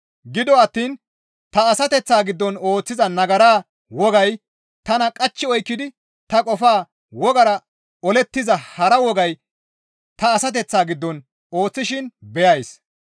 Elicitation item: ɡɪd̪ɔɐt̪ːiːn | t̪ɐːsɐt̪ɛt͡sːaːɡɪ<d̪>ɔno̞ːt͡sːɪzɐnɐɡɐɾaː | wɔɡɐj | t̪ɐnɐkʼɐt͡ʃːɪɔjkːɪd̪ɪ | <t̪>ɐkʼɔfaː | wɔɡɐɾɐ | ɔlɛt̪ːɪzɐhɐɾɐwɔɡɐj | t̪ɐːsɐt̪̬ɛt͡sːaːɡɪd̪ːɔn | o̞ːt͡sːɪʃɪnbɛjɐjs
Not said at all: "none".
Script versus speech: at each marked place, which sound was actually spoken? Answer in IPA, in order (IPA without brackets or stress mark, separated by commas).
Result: d̪ː, t̪